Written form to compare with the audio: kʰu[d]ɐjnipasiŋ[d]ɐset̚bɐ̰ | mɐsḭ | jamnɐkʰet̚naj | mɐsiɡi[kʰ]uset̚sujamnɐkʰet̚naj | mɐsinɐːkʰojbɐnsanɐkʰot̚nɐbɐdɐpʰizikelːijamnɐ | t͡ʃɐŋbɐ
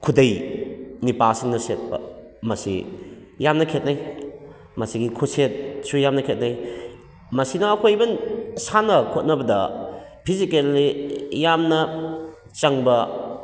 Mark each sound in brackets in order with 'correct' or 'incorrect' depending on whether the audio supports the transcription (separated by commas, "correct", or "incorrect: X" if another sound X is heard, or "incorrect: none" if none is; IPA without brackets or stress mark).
correct, incorrect: n, correct